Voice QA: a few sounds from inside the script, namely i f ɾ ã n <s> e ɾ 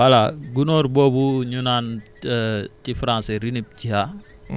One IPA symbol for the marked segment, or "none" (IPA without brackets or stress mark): s